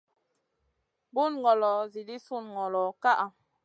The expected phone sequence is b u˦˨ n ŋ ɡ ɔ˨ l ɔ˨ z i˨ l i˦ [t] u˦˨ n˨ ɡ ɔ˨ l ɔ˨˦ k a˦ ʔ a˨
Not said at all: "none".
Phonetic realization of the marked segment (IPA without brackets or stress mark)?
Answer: s